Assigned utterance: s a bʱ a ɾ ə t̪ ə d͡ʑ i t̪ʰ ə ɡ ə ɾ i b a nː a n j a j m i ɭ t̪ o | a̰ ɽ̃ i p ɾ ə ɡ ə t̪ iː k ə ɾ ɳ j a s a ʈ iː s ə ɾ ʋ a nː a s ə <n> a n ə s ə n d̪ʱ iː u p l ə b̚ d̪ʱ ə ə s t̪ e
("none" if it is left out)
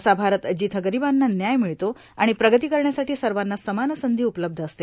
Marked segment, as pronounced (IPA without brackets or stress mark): m